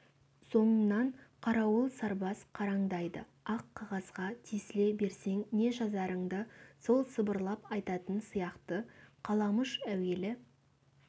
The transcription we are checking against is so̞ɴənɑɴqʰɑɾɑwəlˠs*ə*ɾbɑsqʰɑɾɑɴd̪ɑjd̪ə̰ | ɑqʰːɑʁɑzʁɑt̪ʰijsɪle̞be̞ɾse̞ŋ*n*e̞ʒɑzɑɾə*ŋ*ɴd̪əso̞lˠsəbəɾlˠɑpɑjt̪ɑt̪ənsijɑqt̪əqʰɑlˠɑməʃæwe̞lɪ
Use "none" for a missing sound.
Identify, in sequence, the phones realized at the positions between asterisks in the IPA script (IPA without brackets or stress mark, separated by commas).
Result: ɑ, n, none